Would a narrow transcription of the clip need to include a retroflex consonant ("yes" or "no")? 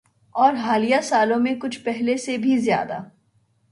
no